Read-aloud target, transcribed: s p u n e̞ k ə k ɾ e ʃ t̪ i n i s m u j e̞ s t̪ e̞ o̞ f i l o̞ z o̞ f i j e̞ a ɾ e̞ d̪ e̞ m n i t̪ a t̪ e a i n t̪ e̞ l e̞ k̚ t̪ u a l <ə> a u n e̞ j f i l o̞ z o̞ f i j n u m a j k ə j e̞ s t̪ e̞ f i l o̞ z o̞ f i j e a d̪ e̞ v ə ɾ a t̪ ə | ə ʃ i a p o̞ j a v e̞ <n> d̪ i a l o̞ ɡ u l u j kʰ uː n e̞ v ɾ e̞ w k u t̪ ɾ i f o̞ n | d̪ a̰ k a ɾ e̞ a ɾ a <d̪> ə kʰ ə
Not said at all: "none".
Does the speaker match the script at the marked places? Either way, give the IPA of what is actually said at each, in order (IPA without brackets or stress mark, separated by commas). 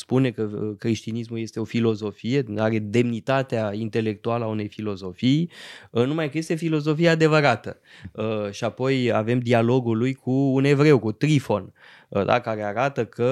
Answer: ə, m, t̪